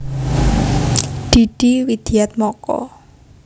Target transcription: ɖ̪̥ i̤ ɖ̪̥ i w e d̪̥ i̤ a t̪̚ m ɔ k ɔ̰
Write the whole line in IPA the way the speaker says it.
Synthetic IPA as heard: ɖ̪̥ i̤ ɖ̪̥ i w i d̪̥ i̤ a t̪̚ m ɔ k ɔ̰